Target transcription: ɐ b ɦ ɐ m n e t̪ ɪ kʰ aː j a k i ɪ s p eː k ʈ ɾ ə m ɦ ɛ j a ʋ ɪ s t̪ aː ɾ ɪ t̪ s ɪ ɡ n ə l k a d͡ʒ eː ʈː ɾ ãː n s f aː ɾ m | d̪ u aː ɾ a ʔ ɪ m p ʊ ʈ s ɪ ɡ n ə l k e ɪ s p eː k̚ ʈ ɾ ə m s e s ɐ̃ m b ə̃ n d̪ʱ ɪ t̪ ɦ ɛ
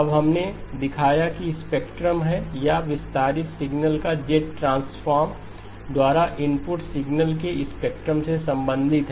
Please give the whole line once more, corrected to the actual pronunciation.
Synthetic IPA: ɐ b ɦ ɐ m n e d̪ ɪ kʰ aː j a k i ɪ s p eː k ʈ ɾ ə m ɦ ɛ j a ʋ ɪ s t̪ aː ɾ ɪ t̪ s ɪ ɡ n ə l k a d͡ʒ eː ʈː ɾ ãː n s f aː ɾ m | d̪ w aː ɾ a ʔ ɪ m p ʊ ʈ s ɪ ɡ n ə l k e ɪ s p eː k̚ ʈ ɾ ə m s e s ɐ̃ m b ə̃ n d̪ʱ ɪ t̪ ɦ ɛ